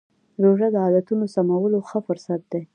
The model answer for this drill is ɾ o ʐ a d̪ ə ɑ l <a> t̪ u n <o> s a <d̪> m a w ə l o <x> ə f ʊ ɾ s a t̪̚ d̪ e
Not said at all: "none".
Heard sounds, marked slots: a, o, none, x

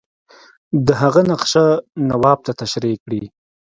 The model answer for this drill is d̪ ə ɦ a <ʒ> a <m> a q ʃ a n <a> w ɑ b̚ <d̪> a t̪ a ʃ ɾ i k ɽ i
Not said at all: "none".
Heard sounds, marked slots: ɣ, n, a, t̪

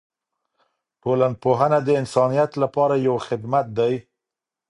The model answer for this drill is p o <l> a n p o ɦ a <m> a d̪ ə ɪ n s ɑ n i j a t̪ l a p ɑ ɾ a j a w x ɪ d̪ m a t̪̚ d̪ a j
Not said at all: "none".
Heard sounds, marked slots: l, n

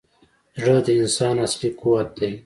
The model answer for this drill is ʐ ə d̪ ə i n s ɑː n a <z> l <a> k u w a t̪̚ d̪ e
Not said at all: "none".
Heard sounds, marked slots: s, i

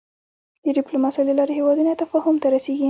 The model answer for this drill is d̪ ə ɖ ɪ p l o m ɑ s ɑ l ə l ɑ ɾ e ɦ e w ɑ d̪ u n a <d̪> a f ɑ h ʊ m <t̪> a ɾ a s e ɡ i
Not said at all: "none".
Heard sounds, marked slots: t̪, t̪

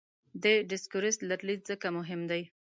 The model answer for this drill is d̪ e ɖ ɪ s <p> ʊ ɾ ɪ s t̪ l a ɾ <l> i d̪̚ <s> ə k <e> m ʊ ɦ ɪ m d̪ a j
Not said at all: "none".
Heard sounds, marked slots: k, l, z, a

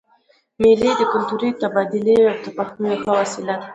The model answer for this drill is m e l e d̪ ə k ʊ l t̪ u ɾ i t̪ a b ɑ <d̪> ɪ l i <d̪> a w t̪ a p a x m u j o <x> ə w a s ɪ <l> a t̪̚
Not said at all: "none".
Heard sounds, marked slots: d̪, none, x, l

